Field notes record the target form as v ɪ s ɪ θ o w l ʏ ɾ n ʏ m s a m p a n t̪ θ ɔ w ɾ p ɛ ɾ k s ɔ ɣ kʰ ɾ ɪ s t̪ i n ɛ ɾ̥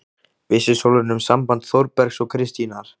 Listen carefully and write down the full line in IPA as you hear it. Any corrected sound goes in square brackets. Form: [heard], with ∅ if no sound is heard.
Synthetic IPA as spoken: v ɪ s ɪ [s] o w l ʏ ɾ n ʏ m s a m p a n t̪ θ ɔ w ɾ p ɛ ɾ k s ɔ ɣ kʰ ɾ ɪ s t̪ i n [a] ɾ̥